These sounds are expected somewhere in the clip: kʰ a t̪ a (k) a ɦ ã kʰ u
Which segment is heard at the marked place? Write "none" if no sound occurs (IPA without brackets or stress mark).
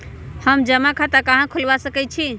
k